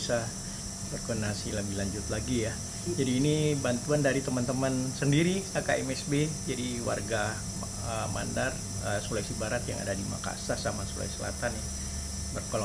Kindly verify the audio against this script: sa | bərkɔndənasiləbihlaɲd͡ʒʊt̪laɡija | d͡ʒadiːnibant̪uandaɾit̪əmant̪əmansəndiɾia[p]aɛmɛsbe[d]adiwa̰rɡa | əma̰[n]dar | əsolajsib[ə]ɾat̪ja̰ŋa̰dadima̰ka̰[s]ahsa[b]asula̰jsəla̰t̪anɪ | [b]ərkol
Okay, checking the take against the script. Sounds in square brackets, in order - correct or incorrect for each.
incorrect: k, incorrect: d͡ʒ, correct, incorrect: a, correct, incorrect: m, correct

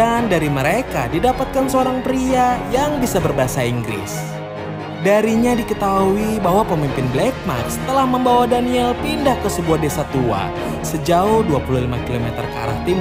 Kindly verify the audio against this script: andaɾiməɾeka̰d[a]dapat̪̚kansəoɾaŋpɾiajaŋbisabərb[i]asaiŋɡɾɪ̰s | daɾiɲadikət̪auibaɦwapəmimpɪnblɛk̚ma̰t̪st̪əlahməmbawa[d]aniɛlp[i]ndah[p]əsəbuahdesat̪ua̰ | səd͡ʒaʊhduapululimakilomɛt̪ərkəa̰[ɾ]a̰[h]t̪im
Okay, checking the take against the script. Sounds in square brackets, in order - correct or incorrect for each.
incorrect: i, incorrect: a, correct, correct, incorrect: k, correct, correct

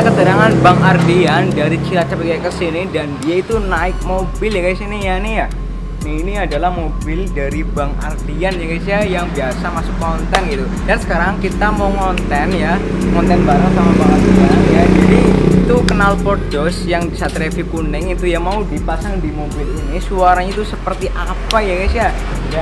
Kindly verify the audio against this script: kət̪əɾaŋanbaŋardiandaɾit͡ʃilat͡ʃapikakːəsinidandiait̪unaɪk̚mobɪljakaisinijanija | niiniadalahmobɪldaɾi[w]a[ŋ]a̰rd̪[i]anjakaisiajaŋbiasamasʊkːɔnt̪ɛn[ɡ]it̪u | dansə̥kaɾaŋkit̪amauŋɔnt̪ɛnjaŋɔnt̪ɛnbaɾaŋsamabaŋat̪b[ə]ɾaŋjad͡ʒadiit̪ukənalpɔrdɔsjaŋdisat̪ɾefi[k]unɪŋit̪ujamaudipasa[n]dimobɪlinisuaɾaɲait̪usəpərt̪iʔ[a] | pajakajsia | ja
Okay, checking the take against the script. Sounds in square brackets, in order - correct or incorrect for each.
incorrect: b, correct, correct, correct, incorrect: a, correct, incorrect: ŋ, correct

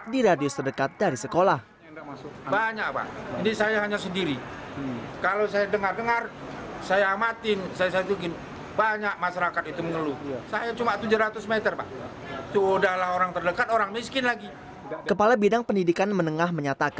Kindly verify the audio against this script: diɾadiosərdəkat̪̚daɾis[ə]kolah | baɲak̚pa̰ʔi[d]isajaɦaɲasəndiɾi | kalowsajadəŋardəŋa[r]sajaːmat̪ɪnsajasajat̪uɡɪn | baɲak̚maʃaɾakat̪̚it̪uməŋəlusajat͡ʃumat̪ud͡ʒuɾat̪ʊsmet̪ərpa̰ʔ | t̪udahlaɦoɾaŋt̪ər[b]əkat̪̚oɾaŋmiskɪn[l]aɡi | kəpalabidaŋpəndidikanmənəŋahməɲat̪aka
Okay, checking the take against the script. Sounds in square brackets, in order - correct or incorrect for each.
correct, incorrect: n, correct, incorrect: d, correct

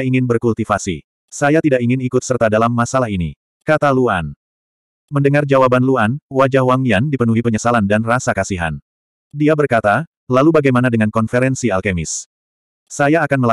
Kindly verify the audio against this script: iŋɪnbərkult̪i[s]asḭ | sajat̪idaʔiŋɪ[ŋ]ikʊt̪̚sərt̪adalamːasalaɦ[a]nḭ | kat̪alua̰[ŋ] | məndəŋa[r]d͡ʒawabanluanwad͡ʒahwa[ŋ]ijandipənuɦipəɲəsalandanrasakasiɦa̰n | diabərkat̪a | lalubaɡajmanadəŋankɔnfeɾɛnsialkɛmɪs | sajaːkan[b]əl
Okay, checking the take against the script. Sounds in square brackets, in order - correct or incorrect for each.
incorrect: f, incorrect: n, incorrect: i, incorrect: n, correct, correct, incorrect: m

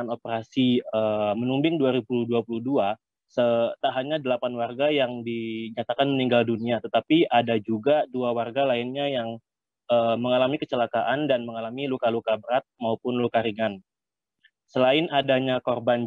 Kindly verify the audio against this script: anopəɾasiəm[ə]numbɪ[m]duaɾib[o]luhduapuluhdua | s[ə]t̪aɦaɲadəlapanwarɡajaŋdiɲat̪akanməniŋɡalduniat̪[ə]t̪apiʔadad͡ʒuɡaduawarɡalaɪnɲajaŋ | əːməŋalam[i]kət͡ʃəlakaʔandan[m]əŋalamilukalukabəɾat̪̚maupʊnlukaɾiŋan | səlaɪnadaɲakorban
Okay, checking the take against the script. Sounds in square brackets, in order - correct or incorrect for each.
correct, incorrect: ŋ, incorrect: u, correct, correct, correct, correct

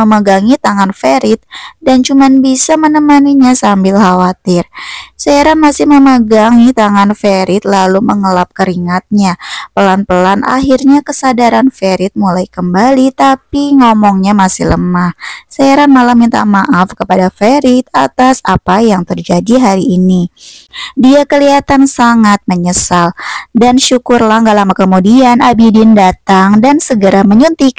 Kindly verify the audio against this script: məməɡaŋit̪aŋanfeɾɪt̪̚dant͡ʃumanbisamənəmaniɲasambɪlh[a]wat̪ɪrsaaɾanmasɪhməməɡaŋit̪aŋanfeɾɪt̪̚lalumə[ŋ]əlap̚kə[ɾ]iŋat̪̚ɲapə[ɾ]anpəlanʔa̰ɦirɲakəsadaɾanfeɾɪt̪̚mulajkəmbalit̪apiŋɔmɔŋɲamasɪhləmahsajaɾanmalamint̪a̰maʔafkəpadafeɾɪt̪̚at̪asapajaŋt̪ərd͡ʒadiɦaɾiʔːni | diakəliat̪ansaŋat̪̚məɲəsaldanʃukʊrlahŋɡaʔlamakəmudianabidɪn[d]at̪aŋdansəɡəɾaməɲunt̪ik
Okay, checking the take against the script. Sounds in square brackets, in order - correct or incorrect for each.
correct, correct, correct, incorrect: l, correct

